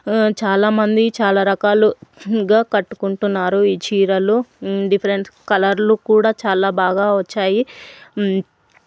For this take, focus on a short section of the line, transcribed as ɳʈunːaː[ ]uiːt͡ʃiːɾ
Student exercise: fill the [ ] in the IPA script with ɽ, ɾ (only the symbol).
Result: ɾ